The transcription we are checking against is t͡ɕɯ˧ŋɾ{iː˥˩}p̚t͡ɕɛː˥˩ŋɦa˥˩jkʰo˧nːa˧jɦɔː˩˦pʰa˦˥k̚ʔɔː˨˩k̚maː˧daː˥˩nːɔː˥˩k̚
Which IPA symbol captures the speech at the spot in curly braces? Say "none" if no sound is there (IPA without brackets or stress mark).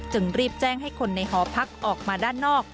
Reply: iː˥˩